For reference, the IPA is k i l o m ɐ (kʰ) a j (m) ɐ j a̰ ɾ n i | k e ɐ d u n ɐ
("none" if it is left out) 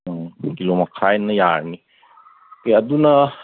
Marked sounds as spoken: kʰ, n

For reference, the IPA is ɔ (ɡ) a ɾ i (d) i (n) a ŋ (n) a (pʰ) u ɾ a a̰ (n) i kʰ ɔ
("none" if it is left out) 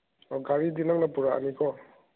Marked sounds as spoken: ɡ, d, n, n, p, n

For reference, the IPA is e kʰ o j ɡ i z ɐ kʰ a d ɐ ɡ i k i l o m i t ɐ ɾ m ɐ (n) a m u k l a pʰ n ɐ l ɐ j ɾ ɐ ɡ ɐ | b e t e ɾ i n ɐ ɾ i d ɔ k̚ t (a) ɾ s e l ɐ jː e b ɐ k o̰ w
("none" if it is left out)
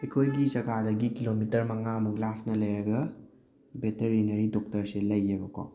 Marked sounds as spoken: ŋ, ɐ

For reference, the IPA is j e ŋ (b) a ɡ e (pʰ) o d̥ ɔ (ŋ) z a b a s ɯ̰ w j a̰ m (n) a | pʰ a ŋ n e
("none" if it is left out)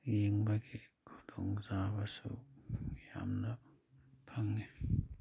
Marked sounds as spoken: b, kʰ, ŋ, n

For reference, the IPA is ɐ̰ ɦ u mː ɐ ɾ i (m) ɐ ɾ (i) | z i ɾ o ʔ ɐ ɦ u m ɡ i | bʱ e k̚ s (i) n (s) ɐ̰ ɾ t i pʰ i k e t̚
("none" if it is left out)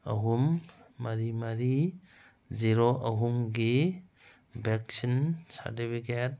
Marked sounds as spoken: m, i, i, s

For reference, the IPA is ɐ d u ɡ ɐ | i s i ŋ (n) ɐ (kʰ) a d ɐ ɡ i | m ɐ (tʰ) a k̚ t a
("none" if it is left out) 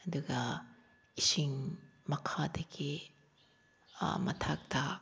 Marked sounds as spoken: m, kʰ, tʰ

